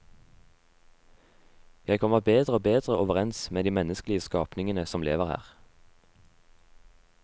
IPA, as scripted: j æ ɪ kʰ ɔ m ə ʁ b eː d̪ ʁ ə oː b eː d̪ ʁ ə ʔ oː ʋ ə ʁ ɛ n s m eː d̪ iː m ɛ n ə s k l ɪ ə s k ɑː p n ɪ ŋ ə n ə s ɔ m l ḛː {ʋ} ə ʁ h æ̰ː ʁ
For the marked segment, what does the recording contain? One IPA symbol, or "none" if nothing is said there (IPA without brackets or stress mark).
ʋ